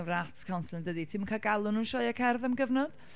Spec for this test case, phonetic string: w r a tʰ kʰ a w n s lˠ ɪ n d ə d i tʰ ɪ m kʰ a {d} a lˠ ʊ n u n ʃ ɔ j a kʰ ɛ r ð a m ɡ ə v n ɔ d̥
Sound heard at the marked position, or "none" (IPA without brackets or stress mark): ɡ